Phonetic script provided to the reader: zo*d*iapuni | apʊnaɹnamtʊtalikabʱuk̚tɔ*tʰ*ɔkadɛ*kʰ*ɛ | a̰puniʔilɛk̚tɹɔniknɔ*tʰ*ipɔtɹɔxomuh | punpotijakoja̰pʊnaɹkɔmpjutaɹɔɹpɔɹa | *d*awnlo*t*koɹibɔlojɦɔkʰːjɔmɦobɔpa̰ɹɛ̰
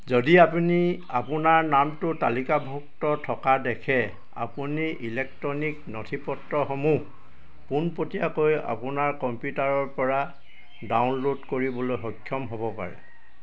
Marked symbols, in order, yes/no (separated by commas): yes, yes, yes, yes, yes, no